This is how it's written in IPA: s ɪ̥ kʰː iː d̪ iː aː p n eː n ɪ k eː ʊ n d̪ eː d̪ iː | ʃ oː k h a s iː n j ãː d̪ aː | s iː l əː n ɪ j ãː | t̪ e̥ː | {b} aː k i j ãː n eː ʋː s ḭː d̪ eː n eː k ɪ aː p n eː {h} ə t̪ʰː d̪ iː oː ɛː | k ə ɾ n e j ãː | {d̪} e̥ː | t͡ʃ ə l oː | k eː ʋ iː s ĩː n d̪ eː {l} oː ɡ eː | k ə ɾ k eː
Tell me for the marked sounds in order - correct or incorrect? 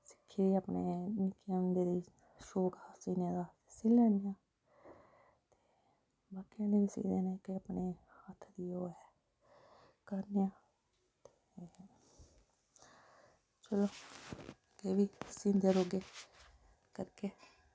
correct, correct, incorrect, incorrect

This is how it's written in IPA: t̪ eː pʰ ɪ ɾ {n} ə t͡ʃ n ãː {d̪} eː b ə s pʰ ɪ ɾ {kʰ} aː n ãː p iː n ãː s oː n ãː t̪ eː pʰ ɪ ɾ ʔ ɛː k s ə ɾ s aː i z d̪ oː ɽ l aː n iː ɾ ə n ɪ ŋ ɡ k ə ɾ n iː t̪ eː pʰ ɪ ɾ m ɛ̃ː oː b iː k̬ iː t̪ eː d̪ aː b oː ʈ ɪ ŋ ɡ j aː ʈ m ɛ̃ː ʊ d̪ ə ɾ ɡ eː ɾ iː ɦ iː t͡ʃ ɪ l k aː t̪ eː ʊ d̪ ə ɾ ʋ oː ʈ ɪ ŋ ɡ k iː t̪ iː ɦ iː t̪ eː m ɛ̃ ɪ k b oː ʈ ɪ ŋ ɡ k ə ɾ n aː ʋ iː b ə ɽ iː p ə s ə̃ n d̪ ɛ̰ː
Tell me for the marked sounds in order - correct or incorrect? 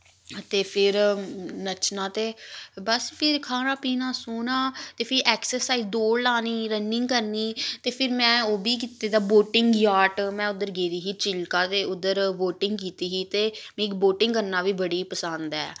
correct, incorrect, correct

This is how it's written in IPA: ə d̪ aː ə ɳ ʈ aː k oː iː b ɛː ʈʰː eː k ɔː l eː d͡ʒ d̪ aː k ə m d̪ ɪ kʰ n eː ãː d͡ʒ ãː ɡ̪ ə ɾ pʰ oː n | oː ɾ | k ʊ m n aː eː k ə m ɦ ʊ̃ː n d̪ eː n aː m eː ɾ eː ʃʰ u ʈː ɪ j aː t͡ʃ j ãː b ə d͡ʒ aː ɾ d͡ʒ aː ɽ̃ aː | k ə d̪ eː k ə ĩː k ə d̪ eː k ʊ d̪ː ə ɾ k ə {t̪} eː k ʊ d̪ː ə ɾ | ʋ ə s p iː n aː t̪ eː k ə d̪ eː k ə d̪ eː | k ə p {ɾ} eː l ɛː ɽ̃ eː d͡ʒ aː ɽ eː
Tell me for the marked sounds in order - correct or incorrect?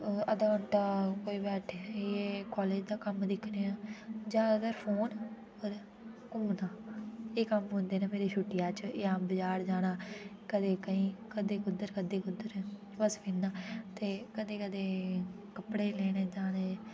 incorrect, incorrect

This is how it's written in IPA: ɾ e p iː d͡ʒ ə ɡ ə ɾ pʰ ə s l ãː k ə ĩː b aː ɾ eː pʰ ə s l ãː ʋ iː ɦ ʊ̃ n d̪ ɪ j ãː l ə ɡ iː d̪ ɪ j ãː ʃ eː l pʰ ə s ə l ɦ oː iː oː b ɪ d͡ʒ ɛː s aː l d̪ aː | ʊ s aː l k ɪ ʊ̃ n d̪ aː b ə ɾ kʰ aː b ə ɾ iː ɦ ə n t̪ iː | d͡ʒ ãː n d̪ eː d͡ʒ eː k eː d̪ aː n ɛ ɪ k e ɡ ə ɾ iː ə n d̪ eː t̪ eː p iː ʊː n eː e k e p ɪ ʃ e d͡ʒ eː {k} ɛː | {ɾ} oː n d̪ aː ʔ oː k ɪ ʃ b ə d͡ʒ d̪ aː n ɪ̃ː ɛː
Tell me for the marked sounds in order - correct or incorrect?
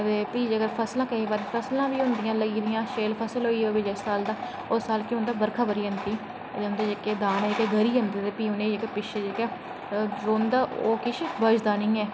correct, correct

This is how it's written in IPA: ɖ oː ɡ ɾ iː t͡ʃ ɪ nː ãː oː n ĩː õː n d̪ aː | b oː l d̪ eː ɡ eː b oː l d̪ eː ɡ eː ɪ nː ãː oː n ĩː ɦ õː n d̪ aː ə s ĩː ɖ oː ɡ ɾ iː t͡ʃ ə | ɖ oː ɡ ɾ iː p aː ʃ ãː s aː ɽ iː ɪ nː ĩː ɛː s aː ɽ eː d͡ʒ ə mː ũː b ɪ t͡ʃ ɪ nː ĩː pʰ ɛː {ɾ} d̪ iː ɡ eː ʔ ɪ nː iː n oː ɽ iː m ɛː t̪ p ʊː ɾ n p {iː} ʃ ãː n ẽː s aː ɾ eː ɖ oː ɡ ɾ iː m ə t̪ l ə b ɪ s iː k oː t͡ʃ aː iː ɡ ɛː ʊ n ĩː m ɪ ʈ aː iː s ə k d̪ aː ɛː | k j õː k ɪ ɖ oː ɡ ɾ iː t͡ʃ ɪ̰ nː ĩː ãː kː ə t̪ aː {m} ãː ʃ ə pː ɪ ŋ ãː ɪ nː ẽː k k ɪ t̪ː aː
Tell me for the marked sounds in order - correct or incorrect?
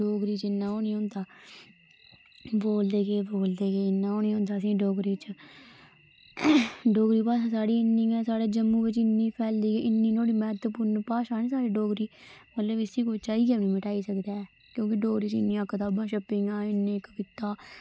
incorrect, incorrect, incorrect

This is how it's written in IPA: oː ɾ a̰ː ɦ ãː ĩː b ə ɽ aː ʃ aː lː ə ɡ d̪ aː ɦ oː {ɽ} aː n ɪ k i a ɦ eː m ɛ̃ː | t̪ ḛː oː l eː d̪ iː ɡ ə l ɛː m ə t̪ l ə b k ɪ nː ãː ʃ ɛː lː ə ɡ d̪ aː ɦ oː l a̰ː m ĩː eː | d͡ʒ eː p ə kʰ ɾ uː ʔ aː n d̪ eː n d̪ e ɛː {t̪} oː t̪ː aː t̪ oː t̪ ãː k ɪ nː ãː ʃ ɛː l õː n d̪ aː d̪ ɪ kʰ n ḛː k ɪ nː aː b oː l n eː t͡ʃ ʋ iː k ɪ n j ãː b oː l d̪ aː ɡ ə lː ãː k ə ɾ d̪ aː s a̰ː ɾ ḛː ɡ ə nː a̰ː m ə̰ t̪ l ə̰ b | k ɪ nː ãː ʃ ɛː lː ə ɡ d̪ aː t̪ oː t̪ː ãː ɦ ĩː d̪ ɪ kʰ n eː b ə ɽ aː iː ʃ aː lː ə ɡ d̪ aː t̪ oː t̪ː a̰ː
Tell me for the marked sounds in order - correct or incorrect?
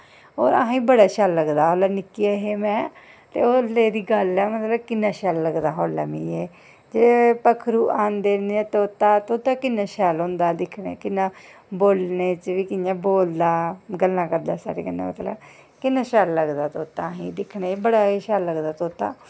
incorrect, correct

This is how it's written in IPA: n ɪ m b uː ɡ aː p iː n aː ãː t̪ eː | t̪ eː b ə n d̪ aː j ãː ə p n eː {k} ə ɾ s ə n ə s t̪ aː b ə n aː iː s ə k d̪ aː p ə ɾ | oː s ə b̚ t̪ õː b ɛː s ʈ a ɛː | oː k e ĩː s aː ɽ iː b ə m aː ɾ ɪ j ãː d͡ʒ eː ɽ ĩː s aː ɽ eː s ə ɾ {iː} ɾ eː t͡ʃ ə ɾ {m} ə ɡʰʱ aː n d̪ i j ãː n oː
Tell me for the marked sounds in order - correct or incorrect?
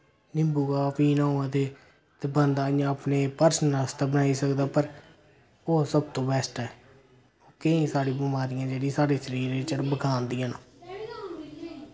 incorrect, correct, incorrect

